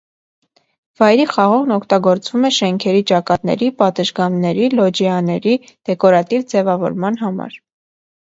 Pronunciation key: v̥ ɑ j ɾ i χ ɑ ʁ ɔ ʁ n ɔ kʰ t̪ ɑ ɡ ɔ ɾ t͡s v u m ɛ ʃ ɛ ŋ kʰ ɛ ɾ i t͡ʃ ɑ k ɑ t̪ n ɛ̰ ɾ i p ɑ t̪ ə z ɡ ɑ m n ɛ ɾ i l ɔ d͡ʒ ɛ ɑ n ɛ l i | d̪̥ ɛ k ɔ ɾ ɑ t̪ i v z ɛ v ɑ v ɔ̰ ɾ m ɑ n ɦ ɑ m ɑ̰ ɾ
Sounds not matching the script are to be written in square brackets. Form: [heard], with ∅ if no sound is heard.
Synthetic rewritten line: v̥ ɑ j ɾ i χ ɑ ʁ ɔ ʁ n ɔ kʰ t̪ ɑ ɡ ɔ ɾ t͡s v u m ɛ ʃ ɛ ŋ kʰ ɛ ɾ i t͡ʃ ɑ k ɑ t̪ n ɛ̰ ɾ i p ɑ t̪ ə [ʒ] ɡ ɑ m n ɛ ɾ i l ɔ d͡ʒ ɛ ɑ n ɛ [ɾ] i | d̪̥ ɛ k ɔ ɾ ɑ t̪ i v [d͡z] ɛ v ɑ v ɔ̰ ɾ m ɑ n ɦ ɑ m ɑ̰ ɾ